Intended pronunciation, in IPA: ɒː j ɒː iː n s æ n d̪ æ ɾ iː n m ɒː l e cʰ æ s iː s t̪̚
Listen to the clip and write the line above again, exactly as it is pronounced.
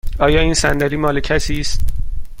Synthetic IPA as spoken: ɒː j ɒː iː n s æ n d̪ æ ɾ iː m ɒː l e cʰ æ s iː s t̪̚